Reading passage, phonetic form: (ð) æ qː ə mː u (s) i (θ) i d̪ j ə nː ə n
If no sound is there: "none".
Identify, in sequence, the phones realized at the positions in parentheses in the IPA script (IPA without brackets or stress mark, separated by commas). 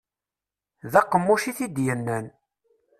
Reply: ð, ʃ, θ